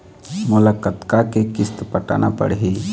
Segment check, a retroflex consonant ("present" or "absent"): present